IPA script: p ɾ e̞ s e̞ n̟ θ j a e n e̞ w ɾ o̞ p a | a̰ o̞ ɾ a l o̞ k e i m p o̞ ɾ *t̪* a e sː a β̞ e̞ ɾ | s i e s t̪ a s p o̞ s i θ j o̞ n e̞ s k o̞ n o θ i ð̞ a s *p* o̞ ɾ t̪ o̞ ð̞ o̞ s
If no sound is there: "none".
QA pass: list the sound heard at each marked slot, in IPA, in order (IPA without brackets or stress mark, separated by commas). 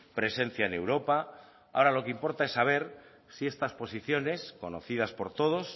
t̪, p